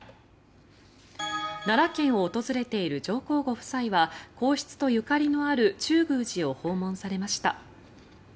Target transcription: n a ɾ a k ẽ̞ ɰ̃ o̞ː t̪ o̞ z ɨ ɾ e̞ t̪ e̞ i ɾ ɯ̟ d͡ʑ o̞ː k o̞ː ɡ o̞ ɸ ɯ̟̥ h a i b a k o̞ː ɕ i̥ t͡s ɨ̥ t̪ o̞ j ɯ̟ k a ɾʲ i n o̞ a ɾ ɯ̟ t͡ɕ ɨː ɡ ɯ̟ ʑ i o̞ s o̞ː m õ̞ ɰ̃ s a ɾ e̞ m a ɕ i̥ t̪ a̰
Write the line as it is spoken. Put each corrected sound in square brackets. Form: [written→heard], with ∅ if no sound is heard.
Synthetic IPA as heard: n a ɾ a k ẽ̞ ɰ̃ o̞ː t̪ o̞ z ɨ ɾ e̞ t̪ e̞ i ɾ ɯ̟ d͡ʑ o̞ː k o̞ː ɡ o̞ ɸ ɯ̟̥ [h→s] a i [b→β] a k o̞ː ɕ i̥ t͡s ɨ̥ t̪ o̞ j ɯ̟ k a ɾʲ i n o̞ a ɾ ɯ̟ t͡ɕ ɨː ɡ [ɯ̟→ɯ̟ː] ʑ i o̞ [s→h] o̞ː m õ̞ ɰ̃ s a ɾ e̞ m a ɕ i̥ t̪ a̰